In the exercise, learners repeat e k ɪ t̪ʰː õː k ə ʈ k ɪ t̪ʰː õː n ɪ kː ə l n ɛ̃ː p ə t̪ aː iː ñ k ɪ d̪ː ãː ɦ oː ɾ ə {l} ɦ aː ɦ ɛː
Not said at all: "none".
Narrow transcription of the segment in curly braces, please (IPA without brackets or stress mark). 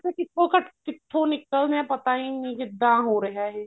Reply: none